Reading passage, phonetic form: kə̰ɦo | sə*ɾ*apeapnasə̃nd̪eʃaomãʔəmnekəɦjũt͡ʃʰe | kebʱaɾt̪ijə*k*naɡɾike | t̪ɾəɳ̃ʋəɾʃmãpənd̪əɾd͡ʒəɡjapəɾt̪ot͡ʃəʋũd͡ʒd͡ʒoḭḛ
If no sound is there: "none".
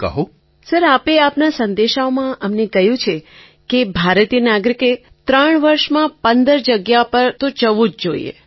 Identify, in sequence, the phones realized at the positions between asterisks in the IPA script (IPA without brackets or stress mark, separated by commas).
ɾ, none